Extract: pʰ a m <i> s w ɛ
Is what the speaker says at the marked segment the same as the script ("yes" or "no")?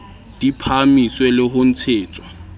yes